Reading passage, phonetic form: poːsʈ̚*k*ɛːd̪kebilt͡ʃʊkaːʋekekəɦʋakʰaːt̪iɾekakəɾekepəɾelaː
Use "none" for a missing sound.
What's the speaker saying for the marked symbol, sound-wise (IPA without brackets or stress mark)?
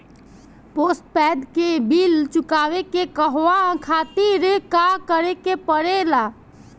p